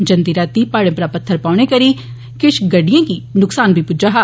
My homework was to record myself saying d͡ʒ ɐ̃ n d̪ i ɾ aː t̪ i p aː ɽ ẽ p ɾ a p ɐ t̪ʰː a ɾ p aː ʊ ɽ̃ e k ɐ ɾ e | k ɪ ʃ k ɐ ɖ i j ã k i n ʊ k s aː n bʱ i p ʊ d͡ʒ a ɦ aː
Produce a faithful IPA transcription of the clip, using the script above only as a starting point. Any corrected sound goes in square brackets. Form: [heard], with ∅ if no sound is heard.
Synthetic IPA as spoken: d͡ʒ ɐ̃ n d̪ i ɾ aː t̪ i p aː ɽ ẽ p ɾ a p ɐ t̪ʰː [ə] ɾ p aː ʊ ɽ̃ e k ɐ ɾ [i] | k ɪ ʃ [ɡ] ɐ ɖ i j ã k i n ʊ k s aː n bʱ i p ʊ d͡ʒ a ɦ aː

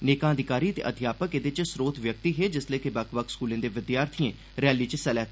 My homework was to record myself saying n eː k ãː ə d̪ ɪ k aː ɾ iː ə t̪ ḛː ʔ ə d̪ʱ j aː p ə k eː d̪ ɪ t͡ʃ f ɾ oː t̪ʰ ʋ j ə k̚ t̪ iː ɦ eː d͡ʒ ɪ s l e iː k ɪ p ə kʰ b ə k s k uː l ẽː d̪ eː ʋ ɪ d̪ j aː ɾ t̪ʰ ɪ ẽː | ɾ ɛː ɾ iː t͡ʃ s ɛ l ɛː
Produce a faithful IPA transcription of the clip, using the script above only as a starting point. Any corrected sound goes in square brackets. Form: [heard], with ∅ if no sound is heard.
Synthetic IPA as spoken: n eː k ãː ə d̪ ɪ k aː ɾ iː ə t̪ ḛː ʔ ə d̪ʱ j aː p ə k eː d̪ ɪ t͡ʃ [s] ɾ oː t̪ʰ ʋ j ə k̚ t̪ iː ɦ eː d͡ʒ ɪ s l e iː k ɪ [b] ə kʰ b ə k s k uː l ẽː d̪ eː ʋ ɪ d̪ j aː ɾ t̪ʰ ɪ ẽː | ɾ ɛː [l] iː t͡ʃ s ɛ l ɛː

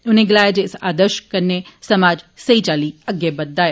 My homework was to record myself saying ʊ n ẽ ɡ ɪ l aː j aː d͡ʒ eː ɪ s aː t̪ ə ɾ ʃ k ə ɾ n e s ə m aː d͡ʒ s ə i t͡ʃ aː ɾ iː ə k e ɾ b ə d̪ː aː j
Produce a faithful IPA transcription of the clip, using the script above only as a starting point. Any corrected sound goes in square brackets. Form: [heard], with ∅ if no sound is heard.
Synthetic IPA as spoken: ʊ n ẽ ɡ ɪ l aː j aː d͡ʒ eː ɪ s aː [d̪] ə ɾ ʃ k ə ɾ n e s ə m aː d͡ʒ s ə i t͡ʃ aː [l] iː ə [ɡ] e [∅] b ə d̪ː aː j

